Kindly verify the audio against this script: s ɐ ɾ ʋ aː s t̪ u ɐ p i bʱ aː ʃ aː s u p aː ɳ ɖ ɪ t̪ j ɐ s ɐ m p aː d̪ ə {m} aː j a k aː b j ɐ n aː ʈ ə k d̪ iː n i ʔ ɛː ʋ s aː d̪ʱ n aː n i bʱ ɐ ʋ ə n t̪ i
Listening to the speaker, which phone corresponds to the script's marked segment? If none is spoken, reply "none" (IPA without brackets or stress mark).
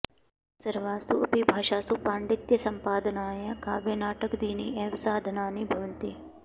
n